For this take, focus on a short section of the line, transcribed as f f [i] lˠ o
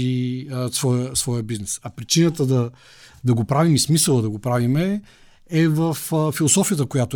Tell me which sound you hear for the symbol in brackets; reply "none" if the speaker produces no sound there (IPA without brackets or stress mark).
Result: i